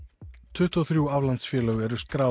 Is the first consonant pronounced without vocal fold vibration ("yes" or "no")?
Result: yes